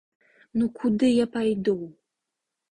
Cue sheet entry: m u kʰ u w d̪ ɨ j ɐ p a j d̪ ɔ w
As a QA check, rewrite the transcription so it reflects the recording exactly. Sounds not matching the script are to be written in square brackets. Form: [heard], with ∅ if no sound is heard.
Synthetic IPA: [n] u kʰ u [∅] d̪ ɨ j [a] p a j d̪ [u] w